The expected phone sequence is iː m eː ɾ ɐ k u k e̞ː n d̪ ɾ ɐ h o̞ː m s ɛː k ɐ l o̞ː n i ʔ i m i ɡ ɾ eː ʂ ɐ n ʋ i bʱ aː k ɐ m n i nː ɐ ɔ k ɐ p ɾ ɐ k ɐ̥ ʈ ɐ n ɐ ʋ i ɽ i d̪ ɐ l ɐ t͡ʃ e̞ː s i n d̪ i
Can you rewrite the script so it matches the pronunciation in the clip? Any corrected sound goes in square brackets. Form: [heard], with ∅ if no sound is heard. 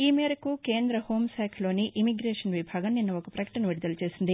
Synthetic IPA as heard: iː m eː ɾ ɐ k u k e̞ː n d̪ ɾ ɐ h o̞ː m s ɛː [kʰ] ɐ l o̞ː n i ʔ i m i ɡ ɾ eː ʂ ɐ n ʋ i bʱ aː [ɡ] ɐ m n i nː ɐ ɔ k ɐ p ɾ ɐ k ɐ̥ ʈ ɐ n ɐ ʋ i ɽ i d̪ ɐ l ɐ t͡ʃ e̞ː s i n d̪ i